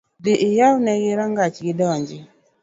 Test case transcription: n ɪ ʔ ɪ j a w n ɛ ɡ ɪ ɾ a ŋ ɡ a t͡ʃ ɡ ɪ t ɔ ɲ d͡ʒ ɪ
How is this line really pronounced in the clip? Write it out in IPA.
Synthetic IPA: d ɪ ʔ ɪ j a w n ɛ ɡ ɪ ɾ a ŋ ɡ a t͡ʃ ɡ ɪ d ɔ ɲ d͡ʒ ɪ